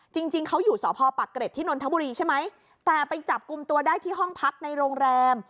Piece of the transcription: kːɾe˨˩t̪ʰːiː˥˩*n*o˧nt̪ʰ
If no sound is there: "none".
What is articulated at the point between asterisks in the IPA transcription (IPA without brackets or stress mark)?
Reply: n